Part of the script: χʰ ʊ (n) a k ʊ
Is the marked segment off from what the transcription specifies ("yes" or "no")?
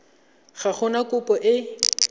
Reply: no